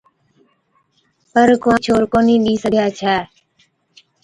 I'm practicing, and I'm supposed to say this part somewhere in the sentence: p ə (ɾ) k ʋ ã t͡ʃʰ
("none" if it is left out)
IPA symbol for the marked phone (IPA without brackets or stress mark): ɾ